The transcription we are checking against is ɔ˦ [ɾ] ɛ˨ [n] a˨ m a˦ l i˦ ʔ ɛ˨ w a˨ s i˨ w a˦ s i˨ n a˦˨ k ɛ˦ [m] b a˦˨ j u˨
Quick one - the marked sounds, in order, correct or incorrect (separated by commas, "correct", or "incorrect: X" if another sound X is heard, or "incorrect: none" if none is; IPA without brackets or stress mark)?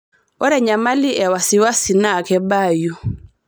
correct, incorrect: ɲ, incorrect: none